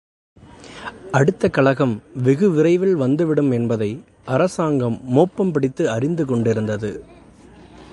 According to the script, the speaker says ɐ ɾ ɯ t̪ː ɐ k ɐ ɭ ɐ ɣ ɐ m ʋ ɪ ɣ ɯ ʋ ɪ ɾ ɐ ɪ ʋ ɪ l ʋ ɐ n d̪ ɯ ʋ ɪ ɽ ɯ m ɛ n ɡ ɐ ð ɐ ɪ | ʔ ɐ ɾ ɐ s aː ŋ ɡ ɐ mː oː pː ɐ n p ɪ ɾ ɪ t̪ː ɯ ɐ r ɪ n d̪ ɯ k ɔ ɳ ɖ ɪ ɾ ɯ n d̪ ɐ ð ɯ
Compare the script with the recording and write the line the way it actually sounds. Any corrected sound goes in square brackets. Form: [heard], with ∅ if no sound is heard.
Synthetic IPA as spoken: ɐ [ɽ] ɯ t̪ː ɐ k ɐ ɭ ɐ ɣ ɐ m ʋ ɪ ɣ ɯ ʋ ɪ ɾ ɐ ɪ ʋ ɪ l ʋ ɐ n d̪ ɯ ʋ ɪ ɽ ɯ m ɛ n [b] ɐ ð ɐ ɪ | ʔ ɐ ɾ ɐ s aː ŋ ɡ ɐ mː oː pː ɐ [m] p ɪ [ɽ] ɪ t̪ː ɯ ɐ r ɪ n d̪ ɯ k ɔ ɳ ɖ ɪ ɾ ɯ n d̪ ɐ ð ɯ